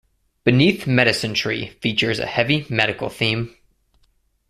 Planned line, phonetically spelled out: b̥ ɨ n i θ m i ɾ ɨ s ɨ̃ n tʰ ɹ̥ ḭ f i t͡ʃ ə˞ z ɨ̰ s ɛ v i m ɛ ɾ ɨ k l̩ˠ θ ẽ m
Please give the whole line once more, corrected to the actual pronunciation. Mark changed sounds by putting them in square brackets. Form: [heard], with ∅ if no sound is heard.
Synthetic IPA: b̥ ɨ n i θ m [ɛ] ɾ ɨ s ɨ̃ n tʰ ɹ̥ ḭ f i t͡ʃ ə˞ z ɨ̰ [h] ɛ v i m ɛ ɾ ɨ k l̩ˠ θ [ĩ] m